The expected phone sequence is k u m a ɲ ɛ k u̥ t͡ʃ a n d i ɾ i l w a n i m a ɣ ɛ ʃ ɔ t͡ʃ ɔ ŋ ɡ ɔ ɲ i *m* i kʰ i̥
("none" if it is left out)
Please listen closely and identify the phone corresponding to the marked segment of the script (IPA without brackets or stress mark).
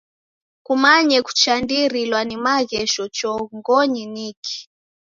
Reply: n